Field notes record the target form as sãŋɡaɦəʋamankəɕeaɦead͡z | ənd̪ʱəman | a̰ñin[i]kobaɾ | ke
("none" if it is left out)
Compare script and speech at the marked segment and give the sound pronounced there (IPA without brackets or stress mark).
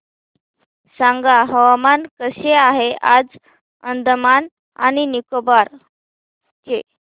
i